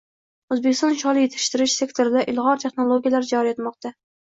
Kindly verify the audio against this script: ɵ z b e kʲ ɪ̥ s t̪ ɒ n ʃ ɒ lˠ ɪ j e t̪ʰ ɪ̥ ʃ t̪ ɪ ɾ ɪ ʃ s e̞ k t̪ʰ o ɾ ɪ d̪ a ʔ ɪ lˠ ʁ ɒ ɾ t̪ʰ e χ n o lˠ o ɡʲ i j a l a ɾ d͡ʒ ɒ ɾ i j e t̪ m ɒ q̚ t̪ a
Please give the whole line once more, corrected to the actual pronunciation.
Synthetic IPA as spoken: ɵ z b e kʲ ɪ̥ s t̪ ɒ n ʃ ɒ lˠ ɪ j e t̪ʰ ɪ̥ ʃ t̪ ɪ ɾ ɪ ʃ s e̞ k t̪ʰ o ɾ ɪ d̪ a ʔ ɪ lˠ ʁ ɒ ɾ t̪ʰ e χ n o lˠ o ɡʲ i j a l a ɾ d͡ʒ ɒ ɾ i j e t̪ m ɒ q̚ t̪ a